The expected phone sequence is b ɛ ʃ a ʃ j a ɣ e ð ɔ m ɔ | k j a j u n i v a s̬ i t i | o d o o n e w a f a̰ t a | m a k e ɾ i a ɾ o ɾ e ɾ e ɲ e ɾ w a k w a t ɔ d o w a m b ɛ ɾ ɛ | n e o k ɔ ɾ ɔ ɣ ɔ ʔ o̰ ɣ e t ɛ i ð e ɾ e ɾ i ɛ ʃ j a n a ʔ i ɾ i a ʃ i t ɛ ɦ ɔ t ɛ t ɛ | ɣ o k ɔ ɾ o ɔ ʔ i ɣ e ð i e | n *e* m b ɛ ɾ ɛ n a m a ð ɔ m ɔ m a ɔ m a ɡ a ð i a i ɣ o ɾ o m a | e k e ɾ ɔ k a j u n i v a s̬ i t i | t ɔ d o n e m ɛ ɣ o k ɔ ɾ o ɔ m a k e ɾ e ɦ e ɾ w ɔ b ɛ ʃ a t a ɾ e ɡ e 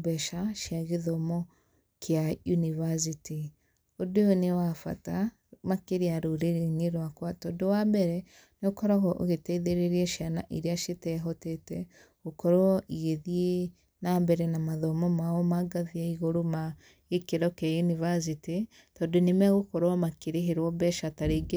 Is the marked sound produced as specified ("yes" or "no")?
no